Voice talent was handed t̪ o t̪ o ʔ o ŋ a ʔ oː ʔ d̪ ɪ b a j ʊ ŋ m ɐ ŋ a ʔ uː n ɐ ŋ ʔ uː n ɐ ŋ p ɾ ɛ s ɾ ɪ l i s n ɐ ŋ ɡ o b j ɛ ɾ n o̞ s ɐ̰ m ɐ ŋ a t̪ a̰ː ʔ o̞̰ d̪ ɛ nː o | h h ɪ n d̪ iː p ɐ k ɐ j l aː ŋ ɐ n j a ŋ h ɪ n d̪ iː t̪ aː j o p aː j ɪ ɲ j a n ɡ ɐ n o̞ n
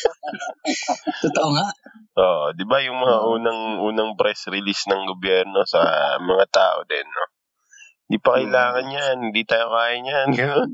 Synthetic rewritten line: t̪ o t̪ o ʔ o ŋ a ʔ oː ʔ d̪ ɪ b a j ʊ ŋ m ɐ ŋ a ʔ uː n ɐ ŋ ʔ uː n ɐ ŋ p ɾ ɛ s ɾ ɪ l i s n ɐ ŋ ɡ o b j ɛ ɾ n o̞ s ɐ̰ m ɐ ŋ a t̪ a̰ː ʔ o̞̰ d̪ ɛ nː o | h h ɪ n d̪ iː p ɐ k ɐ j l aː ŋ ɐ n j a n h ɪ n d̪ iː t̪ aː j o k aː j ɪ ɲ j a n ɡ ɐ n o̞ n